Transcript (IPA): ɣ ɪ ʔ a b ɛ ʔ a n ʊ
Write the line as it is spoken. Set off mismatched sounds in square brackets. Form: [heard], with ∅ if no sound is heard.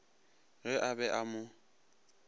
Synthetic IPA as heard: ɣ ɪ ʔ a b ɛ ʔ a [m] ʊ